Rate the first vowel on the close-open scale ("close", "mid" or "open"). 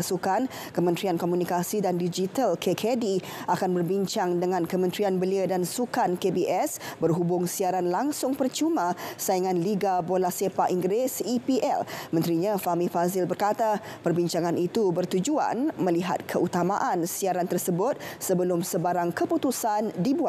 close